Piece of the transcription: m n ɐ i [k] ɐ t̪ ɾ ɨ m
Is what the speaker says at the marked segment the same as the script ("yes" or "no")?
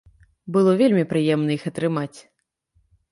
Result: no